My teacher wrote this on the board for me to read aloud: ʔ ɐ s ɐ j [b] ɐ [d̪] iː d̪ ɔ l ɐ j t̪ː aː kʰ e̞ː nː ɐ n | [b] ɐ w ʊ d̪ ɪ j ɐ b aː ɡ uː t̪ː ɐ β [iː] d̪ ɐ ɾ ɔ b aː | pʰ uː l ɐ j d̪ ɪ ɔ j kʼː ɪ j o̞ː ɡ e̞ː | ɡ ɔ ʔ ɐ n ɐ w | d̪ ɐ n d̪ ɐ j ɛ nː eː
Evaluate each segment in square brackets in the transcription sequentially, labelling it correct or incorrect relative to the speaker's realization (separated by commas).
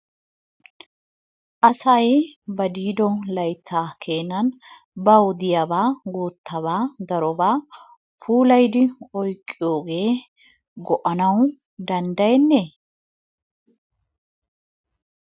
correct, correct, correct, incorrect